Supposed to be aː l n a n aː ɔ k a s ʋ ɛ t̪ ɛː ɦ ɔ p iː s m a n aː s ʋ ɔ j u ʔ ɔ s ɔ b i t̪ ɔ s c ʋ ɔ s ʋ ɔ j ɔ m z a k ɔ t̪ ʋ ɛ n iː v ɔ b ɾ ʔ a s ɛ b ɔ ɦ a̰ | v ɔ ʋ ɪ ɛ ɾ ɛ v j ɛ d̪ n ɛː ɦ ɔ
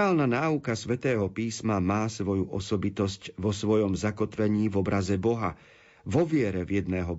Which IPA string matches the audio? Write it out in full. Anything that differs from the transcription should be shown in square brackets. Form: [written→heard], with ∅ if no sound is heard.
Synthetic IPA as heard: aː l n a n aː [ɔ→u] k a s ʋ ɛ t̪ ɛː ɦ ɔ p iː s m a [n→m] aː s ʋ ɔ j u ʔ ɔ s ɔ b i t̪ ɔ s c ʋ ɔ s ʋ ɔ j ɔ m z a k ɔ t̪ ʋ ɛ [n→ɲ] iː v ɔ b ɾ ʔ a [s→z] ɛ b ɔ ɦ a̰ | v ɔ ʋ ɪ ɛ ɾ ɛ v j ɛ d̪ n ɛː ɦ ɔ